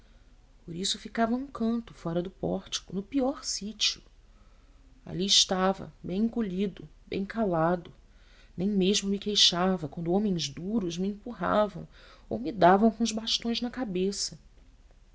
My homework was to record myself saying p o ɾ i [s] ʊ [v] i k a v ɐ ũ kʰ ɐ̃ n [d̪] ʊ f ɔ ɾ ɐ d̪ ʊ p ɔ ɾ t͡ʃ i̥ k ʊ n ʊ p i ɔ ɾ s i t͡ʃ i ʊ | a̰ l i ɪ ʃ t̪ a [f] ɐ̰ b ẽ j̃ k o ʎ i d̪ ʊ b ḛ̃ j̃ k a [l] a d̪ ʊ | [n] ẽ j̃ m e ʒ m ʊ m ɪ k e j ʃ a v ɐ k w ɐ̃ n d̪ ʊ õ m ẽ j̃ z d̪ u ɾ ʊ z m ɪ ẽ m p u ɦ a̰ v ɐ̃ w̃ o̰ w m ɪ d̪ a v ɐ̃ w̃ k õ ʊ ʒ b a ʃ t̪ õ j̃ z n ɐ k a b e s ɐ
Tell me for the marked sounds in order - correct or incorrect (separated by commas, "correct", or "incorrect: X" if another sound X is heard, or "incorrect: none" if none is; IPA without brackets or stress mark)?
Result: correct, incorrect: f, incorrect: t̪, incorrect: v, correct, correct